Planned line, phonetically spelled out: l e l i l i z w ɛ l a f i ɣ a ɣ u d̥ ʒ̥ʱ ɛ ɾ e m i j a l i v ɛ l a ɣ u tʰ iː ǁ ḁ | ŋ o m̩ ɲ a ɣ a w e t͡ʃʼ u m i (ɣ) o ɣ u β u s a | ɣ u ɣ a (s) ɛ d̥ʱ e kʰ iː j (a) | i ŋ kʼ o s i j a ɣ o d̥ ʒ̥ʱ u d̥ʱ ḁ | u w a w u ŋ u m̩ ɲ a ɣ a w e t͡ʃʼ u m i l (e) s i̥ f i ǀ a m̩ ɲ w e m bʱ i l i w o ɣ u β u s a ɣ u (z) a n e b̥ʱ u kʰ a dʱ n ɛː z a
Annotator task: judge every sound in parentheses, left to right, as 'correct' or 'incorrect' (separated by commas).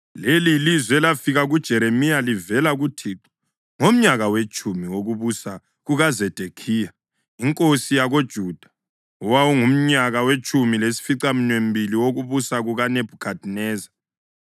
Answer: incorrect, incorrect, correct, correct, incorrect